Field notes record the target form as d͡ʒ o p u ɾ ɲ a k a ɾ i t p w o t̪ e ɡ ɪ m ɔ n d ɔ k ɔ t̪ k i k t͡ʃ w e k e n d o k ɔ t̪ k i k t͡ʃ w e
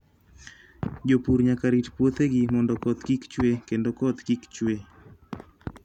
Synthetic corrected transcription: d͡ʒ o p u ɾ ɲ a k a ɾ i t p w o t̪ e ɡ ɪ m ɔ n d ɔ k ɔ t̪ k i k t͡ʃ w e k e n d o k ɔ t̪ k i k t͡ʃ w e